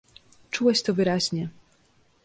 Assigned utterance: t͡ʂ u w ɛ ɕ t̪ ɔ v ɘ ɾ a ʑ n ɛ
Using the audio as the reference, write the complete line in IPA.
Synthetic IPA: t͡ʂ u w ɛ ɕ t̪ ɔ v ɘ ɾ a ʑ ɲ ɛ